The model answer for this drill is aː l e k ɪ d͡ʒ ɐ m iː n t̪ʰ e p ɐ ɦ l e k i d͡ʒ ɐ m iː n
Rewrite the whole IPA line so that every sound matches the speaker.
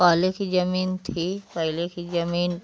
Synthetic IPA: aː l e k i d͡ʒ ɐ m iː n t̪ʰ i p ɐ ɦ l e k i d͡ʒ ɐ m iː n